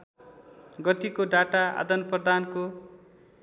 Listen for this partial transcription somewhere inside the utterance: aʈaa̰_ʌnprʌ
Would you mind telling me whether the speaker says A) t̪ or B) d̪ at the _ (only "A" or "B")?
B